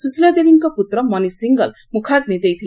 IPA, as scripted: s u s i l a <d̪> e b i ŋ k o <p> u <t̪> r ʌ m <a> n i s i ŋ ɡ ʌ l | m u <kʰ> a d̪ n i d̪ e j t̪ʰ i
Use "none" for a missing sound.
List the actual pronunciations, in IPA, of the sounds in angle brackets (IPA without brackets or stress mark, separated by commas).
d̪, p, t̪, ʌ, kʰ